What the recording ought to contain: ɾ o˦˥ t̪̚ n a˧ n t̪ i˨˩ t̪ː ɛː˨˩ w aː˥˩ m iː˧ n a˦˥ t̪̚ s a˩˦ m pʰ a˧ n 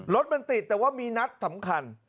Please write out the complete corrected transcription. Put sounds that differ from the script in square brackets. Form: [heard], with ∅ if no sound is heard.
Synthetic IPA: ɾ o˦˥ t̪̚ [m] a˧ n t̪ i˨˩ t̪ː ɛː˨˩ w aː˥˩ m iː˧ n a˦˥ t̪̚ s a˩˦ m [kʰ] a˧ n